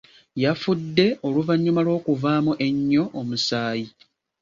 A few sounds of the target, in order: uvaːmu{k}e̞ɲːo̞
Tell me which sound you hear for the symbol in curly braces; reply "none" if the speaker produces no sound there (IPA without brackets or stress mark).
ʔ